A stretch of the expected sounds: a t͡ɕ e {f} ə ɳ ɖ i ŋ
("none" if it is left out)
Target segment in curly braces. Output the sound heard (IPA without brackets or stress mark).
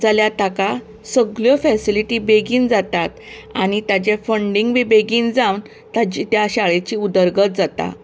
f